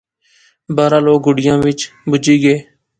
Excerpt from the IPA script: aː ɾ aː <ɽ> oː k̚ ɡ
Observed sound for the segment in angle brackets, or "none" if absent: l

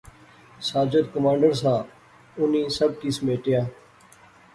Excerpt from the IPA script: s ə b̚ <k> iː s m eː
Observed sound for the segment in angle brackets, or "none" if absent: k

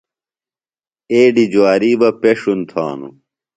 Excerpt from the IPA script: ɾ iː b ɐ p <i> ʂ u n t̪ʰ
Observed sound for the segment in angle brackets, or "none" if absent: e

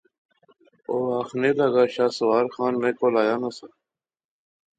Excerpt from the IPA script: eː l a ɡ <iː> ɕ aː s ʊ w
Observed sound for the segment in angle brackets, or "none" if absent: aː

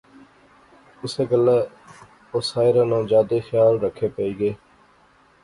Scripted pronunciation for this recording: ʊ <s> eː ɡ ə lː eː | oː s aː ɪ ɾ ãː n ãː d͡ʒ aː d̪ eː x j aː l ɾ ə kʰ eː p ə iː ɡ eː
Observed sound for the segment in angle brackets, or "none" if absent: s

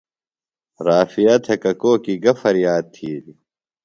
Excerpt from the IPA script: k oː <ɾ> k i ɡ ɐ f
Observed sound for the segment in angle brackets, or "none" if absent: none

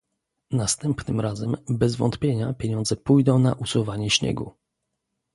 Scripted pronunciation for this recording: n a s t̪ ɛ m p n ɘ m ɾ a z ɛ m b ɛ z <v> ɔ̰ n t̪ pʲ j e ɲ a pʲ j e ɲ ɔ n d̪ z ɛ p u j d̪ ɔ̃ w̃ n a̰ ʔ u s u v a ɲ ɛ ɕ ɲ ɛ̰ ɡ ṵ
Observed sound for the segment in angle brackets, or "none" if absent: v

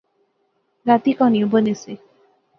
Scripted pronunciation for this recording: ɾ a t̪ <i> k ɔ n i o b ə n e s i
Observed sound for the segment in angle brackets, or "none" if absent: i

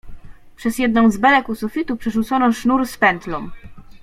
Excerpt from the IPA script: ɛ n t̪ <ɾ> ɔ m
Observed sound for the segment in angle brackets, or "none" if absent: l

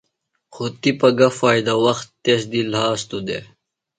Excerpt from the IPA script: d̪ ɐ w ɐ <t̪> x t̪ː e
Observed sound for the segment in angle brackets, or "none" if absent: none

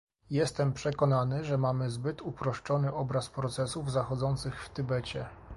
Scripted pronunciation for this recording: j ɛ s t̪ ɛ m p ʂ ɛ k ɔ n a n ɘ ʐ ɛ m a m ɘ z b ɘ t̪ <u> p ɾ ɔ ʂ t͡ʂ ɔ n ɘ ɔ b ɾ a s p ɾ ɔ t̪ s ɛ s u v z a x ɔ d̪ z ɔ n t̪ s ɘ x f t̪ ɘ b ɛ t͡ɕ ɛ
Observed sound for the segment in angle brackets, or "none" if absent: u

